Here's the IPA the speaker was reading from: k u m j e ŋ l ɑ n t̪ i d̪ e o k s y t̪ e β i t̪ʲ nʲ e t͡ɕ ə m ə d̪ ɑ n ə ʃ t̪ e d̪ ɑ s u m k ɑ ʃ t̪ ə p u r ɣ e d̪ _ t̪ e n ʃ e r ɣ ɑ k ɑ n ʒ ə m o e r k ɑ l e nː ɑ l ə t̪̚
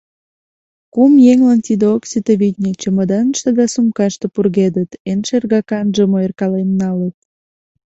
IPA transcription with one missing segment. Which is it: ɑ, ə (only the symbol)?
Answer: ə